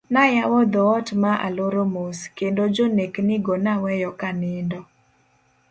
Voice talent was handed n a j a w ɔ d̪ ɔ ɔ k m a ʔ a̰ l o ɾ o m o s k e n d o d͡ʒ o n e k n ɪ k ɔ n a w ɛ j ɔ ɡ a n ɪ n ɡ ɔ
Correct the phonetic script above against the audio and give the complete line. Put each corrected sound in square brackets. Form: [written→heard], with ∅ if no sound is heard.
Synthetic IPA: n a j a w ɔ d̪ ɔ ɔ [k→t] m a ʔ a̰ l o ɾ o m o s k e n d o d͡ʒ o n e k n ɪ [k→ɡ] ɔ n a w ɛ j ɔ [ɡ→k] a n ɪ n [ɡ→d] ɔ